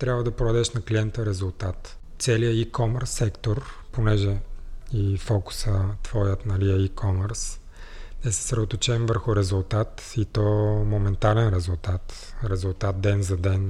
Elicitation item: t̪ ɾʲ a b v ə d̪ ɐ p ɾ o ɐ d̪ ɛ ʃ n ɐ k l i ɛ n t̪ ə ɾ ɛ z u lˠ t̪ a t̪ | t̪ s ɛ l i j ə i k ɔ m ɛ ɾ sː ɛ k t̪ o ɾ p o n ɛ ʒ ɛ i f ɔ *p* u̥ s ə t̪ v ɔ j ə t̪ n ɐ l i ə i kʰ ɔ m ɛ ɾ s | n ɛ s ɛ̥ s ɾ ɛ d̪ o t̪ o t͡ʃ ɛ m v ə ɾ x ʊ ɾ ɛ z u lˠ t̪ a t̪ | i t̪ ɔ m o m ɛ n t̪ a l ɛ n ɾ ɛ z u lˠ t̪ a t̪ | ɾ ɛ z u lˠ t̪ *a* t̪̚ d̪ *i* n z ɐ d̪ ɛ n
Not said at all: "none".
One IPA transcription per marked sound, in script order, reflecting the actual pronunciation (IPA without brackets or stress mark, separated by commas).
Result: k, a, ɛ